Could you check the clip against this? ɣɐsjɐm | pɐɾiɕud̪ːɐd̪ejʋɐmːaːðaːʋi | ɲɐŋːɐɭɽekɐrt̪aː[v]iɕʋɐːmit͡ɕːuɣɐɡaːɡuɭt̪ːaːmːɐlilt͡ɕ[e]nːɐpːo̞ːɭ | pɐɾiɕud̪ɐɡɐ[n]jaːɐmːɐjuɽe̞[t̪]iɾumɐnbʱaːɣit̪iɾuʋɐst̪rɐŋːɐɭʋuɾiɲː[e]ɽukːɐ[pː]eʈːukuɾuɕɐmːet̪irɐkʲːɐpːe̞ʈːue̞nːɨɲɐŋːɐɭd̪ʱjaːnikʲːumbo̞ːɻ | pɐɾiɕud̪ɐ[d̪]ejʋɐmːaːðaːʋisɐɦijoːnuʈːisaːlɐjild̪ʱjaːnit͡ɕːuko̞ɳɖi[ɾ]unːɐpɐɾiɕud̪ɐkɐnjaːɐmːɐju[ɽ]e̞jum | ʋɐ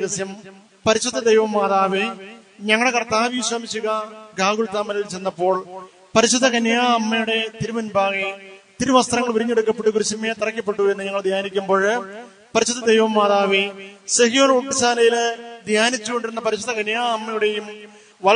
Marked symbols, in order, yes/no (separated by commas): no, yes, yes, yes, yes, yes, yes, yes, yes